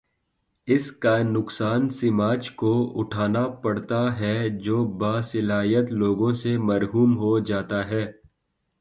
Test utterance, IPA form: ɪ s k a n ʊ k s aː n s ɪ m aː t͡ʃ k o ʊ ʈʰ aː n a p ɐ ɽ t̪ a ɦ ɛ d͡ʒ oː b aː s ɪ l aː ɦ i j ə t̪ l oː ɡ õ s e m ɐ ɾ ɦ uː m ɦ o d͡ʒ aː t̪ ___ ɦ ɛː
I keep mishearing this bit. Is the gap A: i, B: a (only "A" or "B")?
B